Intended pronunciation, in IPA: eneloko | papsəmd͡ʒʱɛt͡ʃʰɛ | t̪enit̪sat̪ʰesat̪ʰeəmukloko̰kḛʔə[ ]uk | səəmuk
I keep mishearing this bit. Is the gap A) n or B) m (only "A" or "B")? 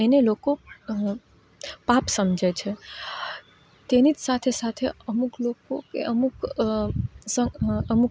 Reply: B